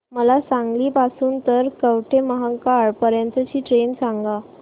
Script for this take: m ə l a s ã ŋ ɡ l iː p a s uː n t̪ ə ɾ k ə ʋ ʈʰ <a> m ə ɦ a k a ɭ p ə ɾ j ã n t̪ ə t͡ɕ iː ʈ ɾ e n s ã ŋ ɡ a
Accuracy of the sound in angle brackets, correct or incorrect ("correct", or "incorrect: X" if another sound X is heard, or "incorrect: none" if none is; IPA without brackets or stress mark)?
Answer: incorrect: e